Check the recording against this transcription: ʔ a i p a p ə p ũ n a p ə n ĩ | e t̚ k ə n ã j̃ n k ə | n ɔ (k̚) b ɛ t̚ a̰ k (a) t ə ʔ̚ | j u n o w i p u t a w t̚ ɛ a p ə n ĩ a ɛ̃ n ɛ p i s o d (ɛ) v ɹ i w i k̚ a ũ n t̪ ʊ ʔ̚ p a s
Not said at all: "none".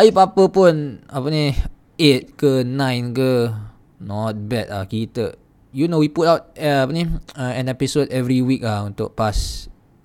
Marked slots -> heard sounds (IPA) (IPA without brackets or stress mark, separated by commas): t̚, i, ɛ